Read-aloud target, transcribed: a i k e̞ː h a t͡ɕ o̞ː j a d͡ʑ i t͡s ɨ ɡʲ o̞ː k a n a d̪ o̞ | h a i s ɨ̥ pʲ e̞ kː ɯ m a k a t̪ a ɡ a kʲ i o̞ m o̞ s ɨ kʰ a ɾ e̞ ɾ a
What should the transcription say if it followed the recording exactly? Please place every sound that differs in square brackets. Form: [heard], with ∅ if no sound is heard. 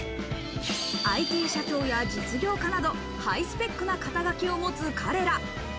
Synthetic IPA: a i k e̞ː [ɕ] a t͡ɕ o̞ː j a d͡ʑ i t͡s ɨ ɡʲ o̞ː k a n a d̪ o̞ | h a i s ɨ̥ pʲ e̞ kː ɯ [n] a k a t̪ a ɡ a kʲ i o̞ m o̞ [t͡s] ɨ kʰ a ɾ e̞ ɾ a